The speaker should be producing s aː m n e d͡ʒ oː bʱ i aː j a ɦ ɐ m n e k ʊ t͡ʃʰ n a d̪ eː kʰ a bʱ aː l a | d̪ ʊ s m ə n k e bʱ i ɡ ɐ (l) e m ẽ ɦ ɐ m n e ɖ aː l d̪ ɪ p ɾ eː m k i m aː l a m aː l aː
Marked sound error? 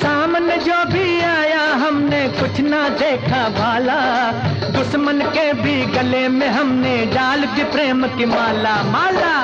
no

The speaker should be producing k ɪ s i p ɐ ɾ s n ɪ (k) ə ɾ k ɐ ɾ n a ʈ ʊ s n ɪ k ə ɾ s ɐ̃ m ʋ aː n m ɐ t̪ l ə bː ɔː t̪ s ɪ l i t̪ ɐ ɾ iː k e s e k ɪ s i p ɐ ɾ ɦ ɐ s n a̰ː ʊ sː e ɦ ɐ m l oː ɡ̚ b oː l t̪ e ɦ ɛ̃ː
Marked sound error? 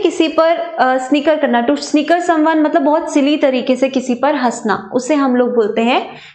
no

